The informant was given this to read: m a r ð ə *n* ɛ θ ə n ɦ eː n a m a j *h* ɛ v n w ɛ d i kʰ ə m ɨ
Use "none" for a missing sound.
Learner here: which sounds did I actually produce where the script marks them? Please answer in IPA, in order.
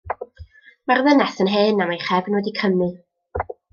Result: n, χ

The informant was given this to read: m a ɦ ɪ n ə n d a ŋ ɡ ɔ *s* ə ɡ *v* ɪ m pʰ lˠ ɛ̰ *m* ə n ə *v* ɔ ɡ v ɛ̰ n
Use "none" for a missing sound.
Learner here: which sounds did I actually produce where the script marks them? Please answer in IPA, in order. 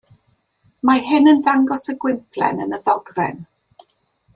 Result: s, w, n, ð

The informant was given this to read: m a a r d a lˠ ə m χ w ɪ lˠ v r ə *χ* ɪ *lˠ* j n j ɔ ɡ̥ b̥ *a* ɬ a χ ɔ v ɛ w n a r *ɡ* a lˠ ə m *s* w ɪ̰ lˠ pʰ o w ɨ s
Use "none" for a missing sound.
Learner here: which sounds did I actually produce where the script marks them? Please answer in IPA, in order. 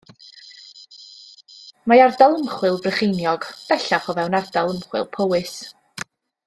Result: χ, none, ɛ, d, χ

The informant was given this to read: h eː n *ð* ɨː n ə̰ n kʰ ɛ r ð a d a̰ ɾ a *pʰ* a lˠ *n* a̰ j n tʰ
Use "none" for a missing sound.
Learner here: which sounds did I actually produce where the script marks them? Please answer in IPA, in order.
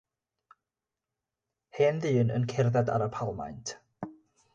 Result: ð, pʰ, m

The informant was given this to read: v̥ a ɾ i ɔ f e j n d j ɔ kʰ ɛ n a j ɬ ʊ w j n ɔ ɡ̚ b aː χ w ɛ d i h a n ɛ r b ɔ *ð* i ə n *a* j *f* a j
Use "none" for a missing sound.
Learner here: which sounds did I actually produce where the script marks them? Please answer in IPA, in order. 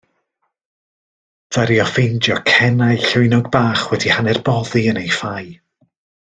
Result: ð, e, f

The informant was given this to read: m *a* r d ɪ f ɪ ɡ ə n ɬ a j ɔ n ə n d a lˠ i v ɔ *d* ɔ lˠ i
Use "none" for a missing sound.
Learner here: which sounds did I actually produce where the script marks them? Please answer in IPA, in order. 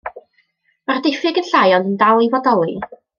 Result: a, d

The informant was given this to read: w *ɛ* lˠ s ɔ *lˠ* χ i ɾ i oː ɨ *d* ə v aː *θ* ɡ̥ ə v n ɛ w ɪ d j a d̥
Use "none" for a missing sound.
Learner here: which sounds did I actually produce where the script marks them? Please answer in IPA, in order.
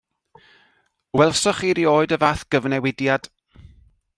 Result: ɛ, none, d, θ

